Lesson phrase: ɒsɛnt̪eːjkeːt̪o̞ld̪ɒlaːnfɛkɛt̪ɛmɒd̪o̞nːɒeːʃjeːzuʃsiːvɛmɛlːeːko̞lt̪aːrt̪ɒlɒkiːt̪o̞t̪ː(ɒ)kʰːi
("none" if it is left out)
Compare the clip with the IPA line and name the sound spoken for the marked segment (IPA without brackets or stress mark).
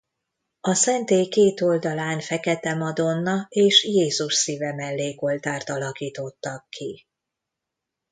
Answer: ɒ